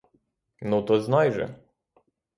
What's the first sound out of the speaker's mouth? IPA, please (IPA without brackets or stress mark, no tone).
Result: n